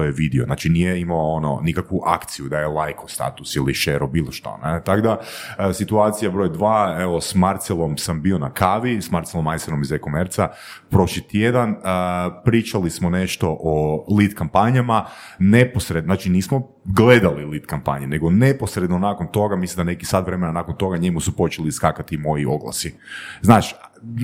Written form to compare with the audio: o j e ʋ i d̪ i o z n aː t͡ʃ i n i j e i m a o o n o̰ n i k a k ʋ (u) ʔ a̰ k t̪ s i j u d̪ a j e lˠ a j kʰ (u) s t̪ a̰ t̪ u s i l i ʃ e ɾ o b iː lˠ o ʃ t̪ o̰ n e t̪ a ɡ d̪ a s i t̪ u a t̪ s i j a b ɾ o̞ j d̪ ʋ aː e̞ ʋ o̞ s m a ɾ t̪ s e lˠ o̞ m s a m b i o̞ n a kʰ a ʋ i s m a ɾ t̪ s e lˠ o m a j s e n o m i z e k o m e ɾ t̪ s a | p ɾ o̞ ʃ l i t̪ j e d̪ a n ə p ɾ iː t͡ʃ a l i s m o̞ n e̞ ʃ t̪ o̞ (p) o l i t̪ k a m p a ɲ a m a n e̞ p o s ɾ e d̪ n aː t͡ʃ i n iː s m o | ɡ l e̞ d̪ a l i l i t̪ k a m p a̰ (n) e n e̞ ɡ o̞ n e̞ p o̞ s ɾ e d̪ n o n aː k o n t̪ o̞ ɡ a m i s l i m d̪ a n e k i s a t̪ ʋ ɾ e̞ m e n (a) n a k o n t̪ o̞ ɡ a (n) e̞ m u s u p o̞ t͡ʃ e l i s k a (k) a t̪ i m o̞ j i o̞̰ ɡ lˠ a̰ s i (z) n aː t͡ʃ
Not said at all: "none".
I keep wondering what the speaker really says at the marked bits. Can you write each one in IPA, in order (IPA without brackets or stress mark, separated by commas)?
u, o, ʔ, ɲ, a, ɲ, k, z